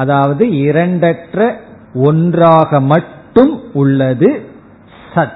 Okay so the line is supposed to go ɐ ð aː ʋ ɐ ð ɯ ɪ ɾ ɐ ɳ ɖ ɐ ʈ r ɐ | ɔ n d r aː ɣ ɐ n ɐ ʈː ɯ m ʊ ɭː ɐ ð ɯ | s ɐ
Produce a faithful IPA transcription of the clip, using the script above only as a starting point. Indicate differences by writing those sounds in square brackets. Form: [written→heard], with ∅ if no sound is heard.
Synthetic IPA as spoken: ɐ ð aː ʋ ɐ ð ɯ ɪ ɾ ɐ ɳ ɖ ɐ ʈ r ɐ | ɔ n d r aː ɣ ɐ [n→m] ɐ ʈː ɯ m ʊ ɭː ɐ ð ɯ | s ɐ